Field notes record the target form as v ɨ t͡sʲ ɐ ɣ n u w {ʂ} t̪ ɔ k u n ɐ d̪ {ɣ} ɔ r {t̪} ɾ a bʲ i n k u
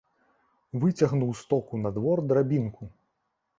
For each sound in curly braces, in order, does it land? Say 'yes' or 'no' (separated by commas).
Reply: no, no, no